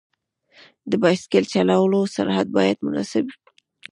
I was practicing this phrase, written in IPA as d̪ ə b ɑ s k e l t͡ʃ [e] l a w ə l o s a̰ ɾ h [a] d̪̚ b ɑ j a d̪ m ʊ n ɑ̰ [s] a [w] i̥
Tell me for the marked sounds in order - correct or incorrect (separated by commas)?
incorrect, correct, correct, incorrect